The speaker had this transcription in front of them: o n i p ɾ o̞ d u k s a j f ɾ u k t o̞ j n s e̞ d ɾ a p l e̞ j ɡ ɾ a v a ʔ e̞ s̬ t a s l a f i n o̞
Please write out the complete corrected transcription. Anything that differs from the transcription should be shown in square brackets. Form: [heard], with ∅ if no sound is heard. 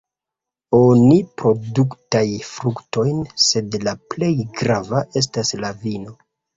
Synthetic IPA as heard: o n i p ɾ o̞ d u k [t] a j f ɾ u k t o̞ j n s e̞ d [l] a p l e̞ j ɡ ɾ a v a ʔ e̞ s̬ t a s l a [v] i n o̞

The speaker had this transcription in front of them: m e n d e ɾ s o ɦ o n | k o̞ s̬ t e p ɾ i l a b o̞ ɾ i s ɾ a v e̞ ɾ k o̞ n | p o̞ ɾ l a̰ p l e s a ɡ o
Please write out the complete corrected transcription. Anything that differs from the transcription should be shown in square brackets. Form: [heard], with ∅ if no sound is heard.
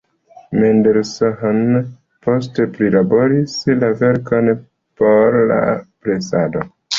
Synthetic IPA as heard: m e n d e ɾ s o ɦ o n | [p] o̞ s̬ t e p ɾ i l a b o̞ ɾ i s [l] a v e̞ ɾ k o̞ n | p o̞ ɾ l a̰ p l e s a [d] o

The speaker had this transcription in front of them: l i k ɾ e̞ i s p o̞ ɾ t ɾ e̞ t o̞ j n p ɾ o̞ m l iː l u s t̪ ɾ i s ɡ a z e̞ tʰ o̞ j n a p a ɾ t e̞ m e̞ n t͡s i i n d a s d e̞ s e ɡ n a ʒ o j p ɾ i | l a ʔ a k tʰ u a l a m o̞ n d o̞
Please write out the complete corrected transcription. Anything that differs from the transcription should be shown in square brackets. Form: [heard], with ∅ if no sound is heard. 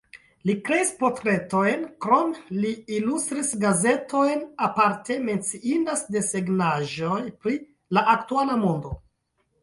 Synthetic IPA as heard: l i k ɾ e̞ i s p o̞ ɾ t ɾ e̞ t o̞ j n [k] ɾ o̞ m l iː l u s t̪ ɾ i s ɡ a z e̞ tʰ o̞ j n a p a ɾ t e̞ m e̞ n t͡s i i n d a s d e̞ s e ɡ n a ʒ o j p ɾ i | l a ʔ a k [t] u a l a m o̞ n d o̞

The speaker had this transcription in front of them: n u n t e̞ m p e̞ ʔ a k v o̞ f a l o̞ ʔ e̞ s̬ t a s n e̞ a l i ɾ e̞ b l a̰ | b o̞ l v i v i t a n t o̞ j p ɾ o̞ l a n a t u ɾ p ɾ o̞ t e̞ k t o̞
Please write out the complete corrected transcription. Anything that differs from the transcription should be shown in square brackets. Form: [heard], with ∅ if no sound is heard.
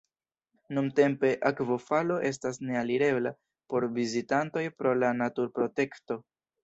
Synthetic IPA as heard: n u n t e̞ m p e̞ ʔ a k v o̞ f a l o̞ ʔ e̞ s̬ t a s n e̞ a l i ɾ e̞ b l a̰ | [p] o̞ [ɾ] v i [z] i t a n t o̞ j p ɾ o̞ l a n a t u ɾ p ɾ o̞ t e̞ k t o̞

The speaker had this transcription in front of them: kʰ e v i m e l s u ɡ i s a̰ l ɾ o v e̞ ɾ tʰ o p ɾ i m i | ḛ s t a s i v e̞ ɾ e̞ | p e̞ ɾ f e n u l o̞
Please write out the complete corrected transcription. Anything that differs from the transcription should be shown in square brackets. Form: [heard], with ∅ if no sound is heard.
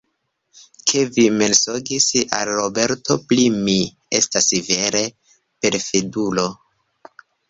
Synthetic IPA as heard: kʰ e v i m e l s [o] ɡ i s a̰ l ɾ o [b] e̞ ɾ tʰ o p [l] i m i | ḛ s t a s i v e̞ ɾ e̞ | p e̞ ɾ f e [d] u l o̞

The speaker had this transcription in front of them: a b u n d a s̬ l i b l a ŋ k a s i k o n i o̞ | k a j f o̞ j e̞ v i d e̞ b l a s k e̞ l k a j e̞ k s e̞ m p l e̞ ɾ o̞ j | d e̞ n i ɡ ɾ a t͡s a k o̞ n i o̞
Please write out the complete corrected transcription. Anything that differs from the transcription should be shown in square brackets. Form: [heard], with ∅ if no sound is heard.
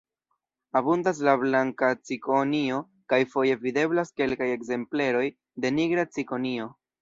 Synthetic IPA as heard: a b u n d a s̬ l [a] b l a ŋ k a [t͡s] i k o n i o̞ | k a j f o̞ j e̞ v i d e̞ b l a s k e̞ l k a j e̞ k [z] e̞ m p l e̞ ɾ o̞ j | d e̞ n i ɡ ɾ a t͡s [i] k o̞ n i o̞

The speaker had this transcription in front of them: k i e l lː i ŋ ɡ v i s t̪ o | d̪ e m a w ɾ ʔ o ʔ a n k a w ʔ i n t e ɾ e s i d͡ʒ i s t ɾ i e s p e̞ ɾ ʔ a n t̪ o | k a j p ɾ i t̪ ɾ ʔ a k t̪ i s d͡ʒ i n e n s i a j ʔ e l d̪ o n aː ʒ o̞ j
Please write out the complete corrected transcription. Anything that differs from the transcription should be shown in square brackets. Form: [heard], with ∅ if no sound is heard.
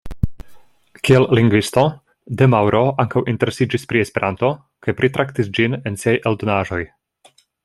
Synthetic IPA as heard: k i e l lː i ŋ ɡ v i s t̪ o | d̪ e m a w ɾ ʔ o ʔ a [ŋ] k a w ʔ i n t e ɾ e s i d͡ʒ i s [p] ɾ i e s p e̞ ɾ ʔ a n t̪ o | k a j p ɾ i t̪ ɾ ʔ a k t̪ i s d͡ʒ i n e n s i a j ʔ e l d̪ o n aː ʒ o̞ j

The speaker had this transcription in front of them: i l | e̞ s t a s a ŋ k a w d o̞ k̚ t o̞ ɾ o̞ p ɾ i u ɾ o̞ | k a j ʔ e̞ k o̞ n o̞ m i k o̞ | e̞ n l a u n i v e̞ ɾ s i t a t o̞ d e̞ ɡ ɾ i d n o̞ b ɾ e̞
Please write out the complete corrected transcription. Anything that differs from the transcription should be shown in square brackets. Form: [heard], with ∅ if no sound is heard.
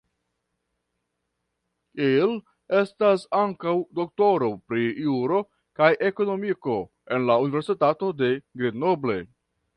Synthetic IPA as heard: i l | e̞ s t a s a ŋ k a w d o̞ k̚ t o̞ ɾ o̞ p ɾ i u ɾ o̞ | k a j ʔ e̞ k o̞ n o̞ m i k o̞ | e̞ n l a u n i v e̞ ɾ s i t a t o̞ d e̞ ɡ ɾ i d n o̞ b [l] e̞

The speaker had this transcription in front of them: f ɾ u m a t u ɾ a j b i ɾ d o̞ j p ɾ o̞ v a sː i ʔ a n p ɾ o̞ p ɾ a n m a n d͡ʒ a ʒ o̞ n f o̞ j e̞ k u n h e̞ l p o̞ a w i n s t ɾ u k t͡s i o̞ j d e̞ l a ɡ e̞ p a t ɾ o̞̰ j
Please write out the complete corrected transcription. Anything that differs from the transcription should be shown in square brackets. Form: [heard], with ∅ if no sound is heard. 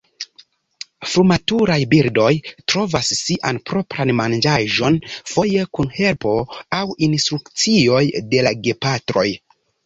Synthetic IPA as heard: f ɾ u m a t u ɾ a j b i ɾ d o̞ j [t] ɾ o̞ v a sː i ʔ a n p ɾ o̞ p ɾ a n m a n d͡ʒ a ʒ o̞ n f o̞ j e̞ k u n h e̞ l p o̞ a w i n s t ɾ u k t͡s i o̞ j d e̞ l a ɡ e̞ p a t ɾ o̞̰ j

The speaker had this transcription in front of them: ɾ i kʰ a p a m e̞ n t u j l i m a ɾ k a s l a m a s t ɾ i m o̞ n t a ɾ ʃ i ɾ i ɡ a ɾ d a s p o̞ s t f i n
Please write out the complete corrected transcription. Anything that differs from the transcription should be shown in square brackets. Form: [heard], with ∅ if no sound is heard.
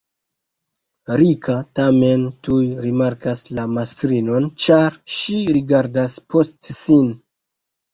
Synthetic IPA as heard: ɾ i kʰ a [t] a m e̞ n t u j [ɾ] i m a ɾ k a s l a m a s t ɾ i [n] o̞ n [t͡ʃ] a ɾ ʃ i ɾ i ɡ a ɾ d a s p o̞ s t [s] i n

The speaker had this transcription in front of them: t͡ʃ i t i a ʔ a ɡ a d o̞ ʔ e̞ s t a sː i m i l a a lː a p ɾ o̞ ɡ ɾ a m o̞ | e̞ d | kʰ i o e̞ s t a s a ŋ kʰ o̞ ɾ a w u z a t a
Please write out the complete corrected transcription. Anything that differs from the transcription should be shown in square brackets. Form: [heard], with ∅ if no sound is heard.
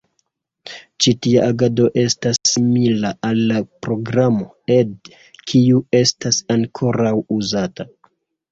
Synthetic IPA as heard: t͡ʃ i t i a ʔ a ɡ a d o̞ ʔ e̞ s t a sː i m i l a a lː a p ɾ o̞ ɡ ɾ a m o̞ | e̞ d | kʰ i [u] e̞ s t a s a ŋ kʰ o̞ ɾ a w u z a t a

